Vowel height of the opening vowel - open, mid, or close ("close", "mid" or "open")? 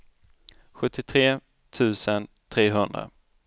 mid